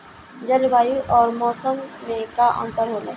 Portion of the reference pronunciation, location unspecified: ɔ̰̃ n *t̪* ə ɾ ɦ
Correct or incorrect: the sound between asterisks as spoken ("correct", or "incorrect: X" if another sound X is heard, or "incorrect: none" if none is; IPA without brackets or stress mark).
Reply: correct